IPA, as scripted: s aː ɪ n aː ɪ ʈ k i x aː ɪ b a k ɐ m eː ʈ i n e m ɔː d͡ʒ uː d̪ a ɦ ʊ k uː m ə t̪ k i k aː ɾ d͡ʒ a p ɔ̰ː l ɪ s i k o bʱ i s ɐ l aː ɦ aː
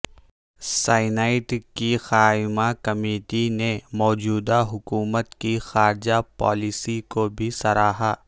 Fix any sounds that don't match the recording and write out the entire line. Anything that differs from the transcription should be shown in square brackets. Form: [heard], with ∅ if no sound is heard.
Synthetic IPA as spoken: s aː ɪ n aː ɪ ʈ k i x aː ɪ [m] a k ɐ m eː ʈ i n e m ɔː d͡ʒ uː d̪ a ɦ ʊ k uː m ə t̪ k i [x] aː ɾ d͡ʒ a p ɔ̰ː l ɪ s i k o bʱ i s ɐ [ɾ] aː ɦ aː